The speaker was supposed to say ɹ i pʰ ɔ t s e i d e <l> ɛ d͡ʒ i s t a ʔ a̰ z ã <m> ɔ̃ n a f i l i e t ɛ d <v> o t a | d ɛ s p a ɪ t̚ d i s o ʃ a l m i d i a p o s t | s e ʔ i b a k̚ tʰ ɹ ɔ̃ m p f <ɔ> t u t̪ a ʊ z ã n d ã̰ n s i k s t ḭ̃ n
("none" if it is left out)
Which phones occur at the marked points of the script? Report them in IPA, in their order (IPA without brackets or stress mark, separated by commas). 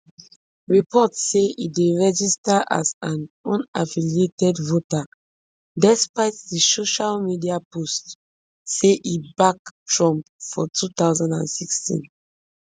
ɹ, n, v, ɔ